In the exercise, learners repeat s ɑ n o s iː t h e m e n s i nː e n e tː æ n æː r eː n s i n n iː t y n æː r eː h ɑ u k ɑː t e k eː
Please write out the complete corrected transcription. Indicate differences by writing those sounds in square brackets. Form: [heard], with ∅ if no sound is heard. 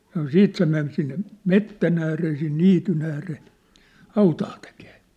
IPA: s ɑ n o s iː t [s] e m e n s i nː e [m] e tː æ n æː r eː [∅] s i n n iː t y n æː r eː h ɑ u [t] ɑː t e k eː